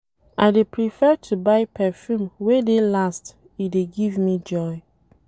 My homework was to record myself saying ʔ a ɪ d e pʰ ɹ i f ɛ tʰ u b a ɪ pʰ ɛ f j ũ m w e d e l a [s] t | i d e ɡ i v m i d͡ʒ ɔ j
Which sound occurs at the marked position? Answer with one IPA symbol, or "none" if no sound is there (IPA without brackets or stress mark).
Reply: s